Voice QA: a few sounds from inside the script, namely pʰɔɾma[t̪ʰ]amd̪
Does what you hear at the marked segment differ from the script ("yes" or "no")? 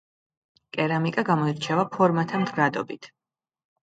no